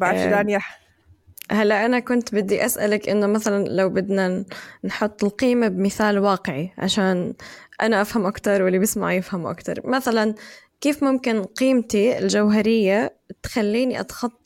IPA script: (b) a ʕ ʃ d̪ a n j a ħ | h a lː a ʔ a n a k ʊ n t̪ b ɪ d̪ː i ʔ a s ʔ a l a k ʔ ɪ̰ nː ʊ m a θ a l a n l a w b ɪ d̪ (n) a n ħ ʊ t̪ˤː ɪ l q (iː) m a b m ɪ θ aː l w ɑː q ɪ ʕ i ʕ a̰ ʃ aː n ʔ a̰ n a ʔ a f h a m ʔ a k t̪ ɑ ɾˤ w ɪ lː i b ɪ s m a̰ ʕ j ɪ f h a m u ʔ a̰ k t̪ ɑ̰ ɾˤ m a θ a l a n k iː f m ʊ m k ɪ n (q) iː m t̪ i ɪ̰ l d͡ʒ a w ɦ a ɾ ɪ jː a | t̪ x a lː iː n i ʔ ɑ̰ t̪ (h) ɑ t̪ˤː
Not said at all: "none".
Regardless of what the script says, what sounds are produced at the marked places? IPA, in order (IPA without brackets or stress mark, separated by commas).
b, n, iː, q, x